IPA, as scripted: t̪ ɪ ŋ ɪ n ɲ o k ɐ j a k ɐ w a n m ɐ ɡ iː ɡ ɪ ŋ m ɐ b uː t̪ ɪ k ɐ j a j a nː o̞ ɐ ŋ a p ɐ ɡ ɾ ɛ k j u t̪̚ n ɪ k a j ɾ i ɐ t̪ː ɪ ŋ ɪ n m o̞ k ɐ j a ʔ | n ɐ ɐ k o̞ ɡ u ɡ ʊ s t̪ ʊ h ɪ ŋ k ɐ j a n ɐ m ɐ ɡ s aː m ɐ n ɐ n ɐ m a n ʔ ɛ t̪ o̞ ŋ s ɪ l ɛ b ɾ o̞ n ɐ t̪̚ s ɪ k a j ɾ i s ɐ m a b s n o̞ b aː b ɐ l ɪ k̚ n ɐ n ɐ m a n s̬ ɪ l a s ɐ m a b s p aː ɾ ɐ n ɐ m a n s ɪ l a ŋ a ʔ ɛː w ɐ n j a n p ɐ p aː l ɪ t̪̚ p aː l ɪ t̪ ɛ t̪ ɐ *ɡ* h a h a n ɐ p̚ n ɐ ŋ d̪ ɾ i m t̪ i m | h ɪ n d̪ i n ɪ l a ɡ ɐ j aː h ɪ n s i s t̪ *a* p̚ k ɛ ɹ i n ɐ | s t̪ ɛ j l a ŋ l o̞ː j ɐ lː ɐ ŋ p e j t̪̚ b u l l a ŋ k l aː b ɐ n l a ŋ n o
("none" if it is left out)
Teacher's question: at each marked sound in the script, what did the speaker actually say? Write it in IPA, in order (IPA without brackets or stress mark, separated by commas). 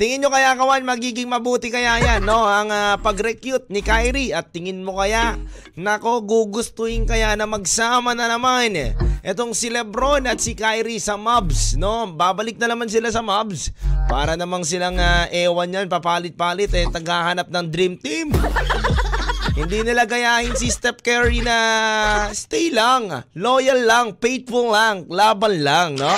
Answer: ɡ, ɛ